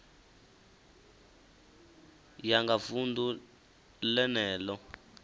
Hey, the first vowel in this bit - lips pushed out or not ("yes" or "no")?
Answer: no